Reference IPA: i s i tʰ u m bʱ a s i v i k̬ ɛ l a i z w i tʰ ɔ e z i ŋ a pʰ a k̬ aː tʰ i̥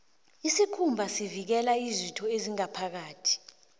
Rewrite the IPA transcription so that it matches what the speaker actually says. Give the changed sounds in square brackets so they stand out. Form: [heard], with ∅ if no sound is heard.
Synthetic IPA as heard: i s i [kʰ] u m bʱ a s i v i k̬ ɛ l a i z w i tʰ ɔ e z i ŋ a pʰ a k̬ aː tʰ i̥